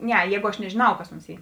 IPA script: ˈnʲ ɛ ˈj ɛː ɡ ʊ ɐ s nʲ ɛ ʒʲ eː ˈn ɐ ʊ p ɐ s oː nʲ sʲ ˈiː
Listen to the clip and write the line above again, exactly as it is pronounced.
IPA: ˈnʲ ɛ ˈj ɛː ɡ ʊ ɐ ʃ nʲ ɛ ʒʲ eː ˈn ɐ ʊ k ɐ s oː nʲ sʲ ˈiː